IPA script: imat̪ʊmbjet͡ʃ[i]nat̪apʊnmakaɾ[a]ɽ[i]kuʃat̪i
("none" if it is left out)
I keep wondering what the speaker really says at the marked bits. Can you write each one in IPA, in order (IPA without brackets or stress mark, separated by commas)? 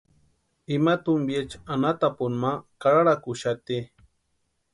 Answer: a, a, a